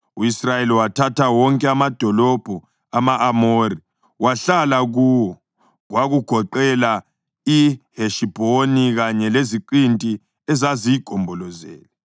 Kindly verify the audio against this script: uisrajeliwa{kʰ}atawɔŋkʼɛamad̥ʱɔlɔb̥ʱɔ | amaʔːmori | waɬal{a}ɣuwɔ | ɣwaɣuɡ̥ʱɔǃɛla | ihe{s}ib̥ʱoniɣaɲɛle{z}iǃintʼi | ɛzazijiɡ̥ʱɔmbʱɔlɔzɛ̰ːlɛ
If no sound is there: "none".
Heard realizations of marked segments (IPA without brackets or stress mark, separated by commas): tʰ, a, ʃ, z